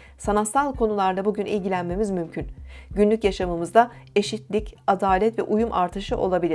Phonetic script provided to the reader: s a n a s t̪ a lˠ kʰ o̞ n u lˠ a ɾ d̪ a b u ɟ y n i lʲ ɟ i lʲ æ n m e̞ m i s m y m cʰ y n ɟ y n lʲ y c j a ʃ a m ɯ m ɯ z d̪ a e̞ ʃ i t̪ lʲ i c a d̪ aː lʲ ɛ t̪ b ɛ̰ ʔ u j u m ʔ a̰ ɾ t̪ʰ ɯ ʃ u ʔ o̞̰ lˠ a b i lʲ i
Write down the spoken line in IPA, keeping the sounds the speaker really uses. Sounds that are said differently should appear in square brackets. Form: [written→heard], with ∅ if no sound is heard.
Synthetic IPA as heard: s a n a s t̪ a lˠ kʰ o̞ n u lˠ a ɾ d̪ a b u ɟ y n i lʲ ɟ i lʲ æ n m e̞ m i [s→z] m y m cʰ y n ɟ y n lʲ y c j a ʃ a m ɯ m ɯ z d̪ a e̞ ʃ i t̪ lʲ i c a d̪ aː lʲ ɛ t̪ [b→v] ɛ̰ ʔ u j u m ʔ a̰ ɾ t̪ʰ ɯ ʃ [u→ɯ] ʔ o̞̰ lˠ a b i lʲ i